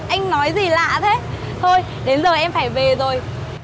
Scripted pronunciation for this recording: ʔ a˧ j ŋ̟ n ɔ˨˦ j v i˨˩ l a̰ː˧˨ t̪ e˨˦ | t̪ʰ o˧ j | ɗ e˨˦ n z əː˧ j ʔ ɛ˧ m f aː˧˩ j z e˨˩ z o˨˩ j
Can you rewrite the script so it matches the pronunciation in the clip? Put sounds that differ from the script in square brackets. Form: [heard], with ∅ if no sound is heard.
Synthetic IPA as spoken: ʔ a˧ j ŋ̟ n ɔ˨˦ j [z] i˨˩ l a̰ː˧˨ [t̪ʰ] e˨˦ | t̪ʰ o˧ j | ɗ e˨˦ n z [əː˨˩] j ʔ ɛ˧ m f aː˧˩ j [v] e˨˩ z o˨˩ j